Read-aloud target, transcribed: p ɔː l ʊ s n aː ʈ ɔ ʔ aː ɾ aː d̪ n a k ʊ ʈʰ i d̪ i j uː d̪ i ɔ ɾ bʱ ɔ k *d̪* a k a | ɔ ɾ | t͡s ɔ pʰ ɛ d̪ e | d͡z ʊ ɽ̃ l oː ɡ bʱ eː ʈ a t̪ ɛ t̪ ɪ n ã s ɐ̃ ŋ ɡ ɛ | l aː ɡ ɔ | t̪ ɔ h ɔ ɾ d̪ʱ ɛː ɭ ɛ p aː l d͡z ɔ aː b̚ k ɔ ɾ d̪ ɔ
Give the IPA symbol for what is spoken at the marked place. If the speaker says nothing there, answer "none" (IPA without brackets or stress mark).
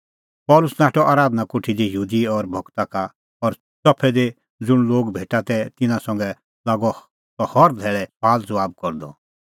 t̪